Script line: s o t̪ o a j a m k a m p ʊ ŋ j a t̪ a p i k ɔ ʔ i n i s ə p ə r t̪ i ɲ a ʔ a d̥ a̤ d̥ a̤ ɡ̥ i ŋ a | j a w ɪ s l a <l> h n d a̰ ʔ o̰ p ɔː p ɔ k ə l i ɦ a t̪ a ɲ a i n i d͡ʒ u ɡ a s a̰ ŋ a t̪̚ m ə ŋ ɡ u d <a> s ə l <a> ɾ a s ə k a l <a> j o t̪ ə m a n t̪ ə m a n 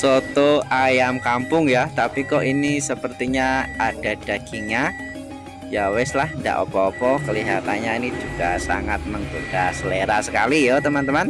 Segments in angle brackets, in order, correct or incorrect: incorrect: none, correct, incorrect: e, incorrect: i

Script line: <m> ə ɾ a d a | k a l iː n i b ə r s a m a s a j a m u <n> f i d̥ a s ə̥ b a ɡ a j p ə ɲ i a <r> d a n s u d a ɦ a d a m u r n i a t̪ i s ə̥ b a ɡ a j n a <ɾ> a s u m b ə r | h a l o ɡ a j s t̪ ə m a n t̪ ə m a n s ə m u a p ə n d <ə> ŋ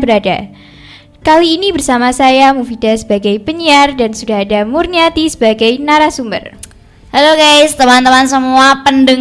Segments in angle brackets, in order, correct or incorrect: incorrect: b, incorrect: none, correct, correct, correct

